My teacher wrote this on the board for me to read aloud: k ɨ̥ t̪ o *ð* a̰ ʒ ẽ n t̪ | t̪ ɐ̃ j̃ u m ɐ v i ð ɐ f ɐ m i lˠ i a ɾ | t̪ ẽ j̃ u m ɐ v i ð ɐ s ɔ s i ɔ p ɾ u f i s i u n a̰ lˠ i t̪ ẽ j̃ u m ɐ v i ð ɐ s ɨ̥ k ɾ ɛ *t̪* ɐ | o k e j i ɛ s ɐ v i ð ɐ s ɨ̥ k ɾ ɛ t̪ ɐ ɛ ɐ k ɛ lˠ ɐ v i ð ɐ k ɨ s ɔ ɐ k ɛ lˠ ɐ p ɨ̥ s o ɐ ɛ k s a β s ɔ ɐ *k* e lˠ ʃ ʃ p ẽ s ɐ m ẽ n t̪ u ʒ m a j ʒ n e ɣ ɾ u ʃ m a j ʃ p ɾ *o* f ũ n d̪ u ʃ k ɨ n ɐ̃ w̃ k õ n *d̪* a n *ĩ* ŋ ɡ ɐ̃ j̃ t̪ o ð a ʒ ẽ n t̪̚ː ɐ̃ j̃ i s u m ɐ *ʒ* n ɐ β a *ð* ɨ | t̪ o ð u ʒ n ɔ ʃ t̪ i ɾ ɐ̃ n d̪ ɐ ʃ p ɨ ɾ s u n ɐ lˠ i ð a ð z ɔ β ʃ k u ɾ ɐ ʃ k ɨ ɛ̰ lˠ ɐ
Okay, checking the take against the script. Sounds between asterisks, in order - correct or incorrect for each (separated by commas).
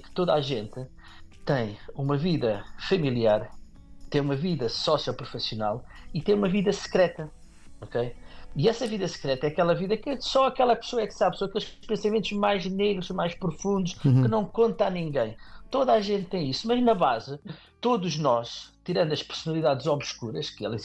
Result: correct, correct, correct, incorrect, incorrect, correct, correct, incorrect